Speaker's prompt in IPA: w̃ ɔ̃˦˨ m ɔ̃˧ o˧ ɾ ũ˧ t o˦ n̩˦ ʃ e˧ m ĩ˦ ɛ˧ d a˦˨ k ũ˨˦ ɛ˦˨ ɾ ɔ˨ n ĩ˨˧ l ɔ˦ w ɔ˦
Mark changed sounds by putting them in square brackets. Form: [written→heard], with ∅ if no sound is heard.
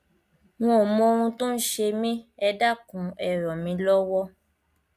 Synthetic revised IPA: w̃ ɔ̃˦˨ m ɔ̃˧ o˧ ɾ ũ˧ t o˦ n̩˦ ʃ e˧ m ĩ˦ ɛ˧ d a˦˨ k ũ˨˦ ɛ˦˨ ɾ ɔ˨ [n→m] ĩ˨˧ l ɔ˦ w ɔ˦